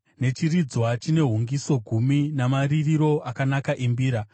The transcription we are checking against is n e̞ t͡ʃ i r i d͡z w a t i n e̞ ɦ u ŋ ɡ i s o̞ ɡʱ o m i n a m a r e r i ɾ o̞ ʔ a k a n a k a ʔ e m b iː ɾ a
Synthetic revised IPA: n e̞ t͡ʃ i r i d͡z w a t͡ʃ i n e̞ ɦ u ŋ ɡ i s o̞ ɡʱ u m i n a m a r i r i ɾ o̞ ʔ a k a n a k a ʔ e m b iː ɾ a

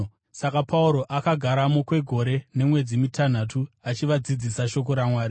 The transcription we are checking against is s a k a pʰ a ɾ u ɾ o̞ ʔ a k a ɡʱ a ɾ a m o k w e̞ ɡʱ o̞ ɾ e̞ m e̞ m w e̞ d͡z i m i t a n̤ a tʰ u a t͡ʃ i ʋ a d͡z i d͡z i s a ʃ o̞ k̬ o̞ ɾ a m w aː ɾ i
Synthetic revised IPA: s a k a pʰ a u ɾ o̞ ʔ a k a ɡʱ a ɾ a m o k w e̞ ɡʱ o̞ ɾ e̞ n e̞ m w e̞ d͡z i m i t a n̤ a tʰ u a t͡ʃ i ʋ a d͡z i d͡z i s a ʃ o̞ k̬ o̞ ɾ a m w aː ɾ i

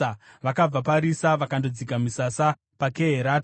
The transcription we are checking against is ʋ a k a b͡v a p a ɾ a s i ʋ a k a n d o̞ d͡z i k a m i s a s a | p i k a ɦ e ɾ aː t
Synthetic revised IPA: ʋ a k a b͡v a p a ɾ i s a ʋ a k a n d o̞ d͡z i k a m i s a s a | p a k e ɦ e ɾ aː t

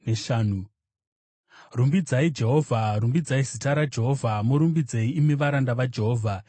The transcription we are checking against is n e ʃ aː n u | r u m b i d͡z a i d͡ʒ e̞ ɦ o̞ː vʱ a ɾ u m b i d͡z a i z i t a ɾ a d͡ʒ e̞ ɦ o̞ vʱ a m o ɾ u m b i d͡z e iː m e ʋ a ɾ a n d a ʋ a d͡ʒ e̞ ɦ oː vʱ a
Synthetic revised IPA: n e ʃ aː n u | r u m b i d͡z a i d͡ʒ e̞ ɦ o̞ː vʱ a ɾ u m b i d͡z a i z i t a ɾ a d͡ʒ e̞ ɦ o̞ vʱ a m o ɾ u m b i d͡z e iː m e ʋ a ɾ a n d a ʋ a d͡ʒ e̞ ɦ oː vʱ a

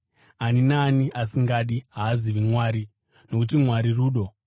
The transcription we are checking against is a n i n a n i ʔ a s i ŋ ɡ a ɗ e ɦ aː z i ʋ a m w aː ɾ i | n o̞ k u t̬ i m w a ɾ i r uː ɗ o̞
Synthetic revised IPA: a n i n a n i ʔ a s i ŋ ɡ a ɗ i ɦ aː z i ʋ i m w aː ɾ i | n o̞ k u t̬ i m w a ɾ i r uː ɗ o̞

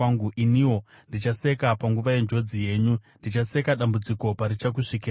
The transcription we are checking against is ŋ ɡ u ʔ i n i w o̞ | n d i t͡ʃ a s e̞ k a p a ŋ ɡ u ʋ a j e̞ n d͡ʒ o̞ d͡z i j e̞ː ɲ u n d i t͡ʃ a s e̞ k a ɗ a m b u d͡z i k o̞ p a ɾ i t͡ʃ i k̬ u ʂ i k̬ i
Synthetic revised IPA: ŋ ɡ u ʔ i n i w o̞ | n d i t͡ʃ a s e̞ k a p a ŋ ɡ u ʋ a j e̞ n d͡ʒ o̞ d͡z i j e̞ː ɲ u n d i t͡ʃ a s e̞ k a ɗ a m b u d͡z i k o̞ p a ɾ i t͡ʃ a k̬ u ʂ i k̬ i

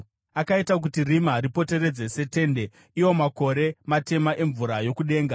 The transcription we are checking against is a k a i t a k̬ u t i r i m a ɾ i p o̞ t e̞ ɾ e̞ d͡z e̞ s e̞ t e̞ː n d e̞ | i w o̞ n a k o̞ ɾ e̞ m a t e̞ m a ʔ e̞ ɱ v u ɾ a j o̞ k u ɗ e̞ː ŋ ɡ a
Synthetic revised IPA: a k a i t a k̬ u t i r i m a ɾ i p o̞ t e̞ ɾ e̞ d͡z e̞ s e̞ t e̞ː n d e̞ | i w o̞ m a k o̞ ɾ e̞ m a t e̞ m a ʔ e̞ ɱ v u ɾ a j o̞ k u ɗ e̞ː ŋ ɡ a

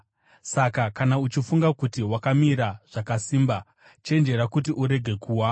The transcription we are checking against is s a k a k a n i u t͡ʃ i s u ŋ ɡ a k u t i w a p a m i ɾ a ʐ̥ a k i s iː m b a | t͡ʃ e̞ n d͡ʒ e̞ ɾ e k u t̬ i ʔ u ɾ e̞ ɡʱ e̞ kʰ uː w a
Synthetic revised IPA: s a k a k a n a u t͡ʃ i f u ŋ ɡ a k u t i w a k a m i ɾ a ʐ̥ a k a s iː m b a | t͡ʃ e̞ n d͡ʒ e̞ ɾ a k u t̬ i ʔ u ɾ e̞ ɡʱ e̞ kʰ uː w a

